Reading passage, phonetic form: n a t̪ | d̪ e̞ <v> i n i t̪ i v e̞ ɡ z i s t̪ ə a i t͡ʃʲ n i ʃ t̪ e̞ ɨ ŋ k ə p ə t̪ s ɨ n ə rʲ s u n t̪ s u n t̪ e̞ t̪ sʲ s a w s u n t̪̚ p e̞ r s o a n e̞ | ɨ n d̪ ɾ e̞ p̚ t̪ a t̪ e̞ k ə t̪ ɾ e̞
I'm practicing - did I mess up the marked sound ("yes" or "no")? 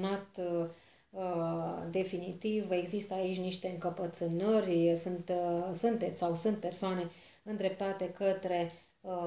yes